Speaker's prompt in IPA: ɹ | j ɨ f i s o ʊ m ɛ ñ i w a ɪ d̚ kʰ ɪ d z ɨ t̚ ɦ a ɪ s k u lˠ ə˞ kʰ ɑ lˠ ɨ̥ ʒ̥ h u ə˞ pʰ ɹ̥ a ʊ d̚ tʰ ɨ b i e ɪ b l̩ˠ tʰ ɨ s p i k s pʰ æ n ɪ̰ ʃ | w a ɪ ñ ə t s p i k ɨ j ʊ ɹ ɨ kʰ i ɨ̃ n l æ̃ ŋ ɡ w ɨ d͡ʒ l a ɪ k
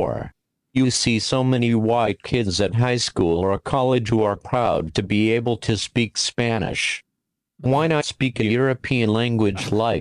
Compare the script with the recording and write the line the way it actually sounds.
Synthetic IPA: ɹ | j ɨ s i s o ʊ m ɛ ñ i w a ɪ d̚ kʰ ɪ d z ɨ t̚ ɦ a ɪ s k u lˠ ə˞ kʰ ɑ lˠ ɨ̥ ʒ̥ h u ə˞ pʰ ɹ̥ a ʊ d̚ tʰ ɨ b i e ɪ b l̩ˠ tʰ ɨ s p i k s p æ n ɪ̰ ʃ | w a ɪ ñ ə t s p i k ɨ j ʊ ɹ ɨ pʰ i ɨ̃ n l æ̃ ŋ ɡ w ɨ d͡ʒ l a ɪ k